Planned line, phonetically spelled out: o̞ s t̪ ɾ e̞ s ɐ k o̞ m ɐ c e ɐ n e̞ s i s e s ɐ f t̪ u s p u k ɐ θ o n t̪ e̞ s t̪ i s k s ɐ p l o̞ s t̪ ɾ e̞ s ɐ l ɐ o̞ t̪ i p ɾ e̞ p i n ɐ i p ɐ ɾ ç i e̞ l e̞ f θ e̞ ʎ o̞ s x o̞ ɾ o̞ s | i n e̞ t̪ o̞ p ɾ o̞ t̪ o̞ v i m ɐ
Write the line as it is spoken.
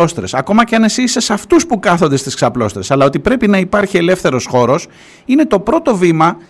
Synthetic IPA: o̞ s t̪ ɾ e̞ s ɐ k o̞ m ɐ c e ɐ n e̞ s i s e s ɐ f t̪ u s p u k ɐ θ o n d̪ e̞ s t̪ i s k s ɐ p l o̞ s t̪ ɾ e̞ s ɐ l ɐ o̞ t̪ i p ɾ e̞ p i n ɐ i p ɐ ɾ ç i e̞ l e̞ f θ e̞ ɾ o̞ s x o̞ ɾ o̞ s | i n e̞ t̪ o̞ p ɾ o̞ t̪ o̞ v i m ɐ